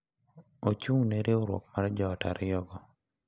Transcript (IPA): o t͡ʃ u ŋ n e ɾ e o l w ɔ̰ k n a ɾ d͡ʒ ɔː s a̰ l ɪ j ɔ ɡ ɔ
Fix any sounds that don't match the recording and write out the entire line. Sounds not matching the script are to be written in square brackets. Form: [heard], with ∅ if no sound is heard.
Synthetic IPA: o t͡ʃ u ŋ n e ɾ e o [ɾ] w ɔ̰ k [m] a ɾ d͡ʒ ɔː [t] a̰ [ɾ] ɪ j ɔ ɡ ɔ